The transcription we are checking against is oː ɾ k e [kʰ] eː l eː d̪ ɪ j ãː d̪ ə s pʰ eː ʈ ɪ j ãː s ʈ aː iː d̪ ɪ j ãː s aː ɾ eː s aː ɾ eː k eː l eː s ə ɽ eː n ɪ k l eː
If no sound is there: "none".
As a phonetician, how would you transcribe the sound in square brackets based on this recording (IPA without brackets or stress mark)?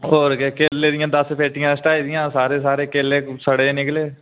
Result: k